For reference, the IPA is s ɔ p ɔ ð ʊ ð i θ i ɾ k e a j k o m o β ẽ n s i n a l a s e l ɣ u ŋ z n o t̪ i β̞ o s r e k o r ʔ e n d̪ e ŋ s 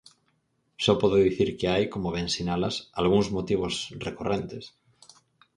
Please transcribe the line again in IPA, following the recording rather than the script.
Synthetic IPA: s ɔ p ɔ ð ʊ ð i θ i ɾ k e a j k o m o β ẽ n s i n a l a s a l ɣ u ŋ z m o t̪ i β̞ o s r e k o r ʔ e n t̪ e s